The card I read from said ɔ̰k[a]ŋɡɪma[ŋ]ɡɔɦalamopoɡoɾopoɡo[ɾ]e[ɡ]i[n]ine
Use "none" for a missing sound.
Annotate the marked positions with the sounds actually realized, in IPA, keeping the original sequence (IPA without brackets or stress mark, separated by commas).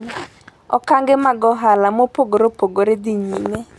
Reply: a, none, ɾ, d, ɲ